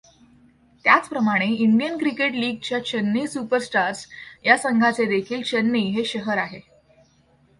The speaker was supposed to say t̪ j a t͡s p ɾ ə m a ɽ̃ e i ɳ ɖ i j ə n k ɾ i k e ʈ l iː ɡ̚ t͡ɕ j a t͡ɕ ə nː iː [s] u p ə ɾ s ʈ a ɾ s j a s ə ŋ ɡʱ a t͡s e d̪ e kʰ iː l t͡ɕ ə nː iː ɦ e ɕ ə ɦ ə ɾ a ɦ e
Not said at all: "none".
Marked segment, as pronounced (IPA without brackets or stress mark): s